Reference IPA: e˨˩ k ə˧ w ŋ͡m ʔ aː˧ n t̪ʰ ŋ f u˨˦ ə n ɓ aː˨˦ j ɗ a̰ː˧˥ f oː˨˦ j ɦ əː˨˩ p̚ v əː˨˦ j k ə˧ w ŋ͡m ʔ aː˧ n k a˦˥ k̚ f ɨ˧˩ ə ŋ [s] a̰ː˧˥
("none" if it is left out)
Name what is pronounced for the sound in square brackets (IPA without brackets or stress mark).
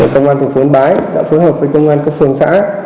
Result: s